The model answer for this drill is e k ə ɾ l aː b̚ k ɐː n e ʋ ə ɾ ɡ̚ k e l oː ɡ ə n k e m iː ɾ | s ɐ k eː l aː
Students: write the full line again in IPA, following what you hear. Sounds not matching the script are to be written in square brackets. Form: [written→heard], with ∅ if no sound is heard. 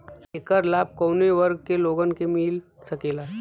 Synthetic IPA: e k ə ɾ l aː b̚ k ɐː n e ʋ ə ɾ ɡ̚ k e l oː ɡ ə n k e m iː [ɾ→l] | s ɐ k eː l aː